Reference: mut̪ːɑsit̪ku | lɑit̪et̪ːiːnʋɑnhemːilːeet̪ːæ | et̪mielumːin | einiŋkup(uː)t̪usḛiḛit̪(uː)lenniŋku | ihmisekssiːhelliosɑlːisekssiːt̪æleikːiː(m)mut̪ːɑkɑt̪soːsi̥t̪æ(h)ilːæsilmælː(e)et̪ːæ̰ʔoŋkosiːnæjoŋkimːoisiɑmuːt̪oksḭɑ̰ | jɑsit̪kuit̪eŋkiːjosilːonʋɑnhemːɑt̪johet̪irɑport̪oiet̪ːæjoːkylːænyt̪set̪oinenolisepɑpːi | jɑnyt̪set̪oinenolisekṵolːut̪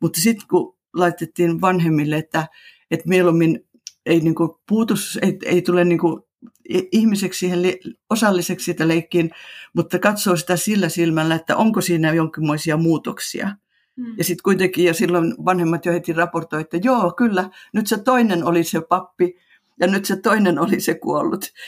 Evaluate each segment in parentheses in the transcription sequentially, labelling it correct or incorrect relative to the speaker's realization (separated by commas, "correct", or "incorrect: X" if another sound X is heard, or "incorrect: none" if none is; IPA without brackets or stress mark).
correct, incorrect: u, incorrect: n, incorrect: s, incorrect: æ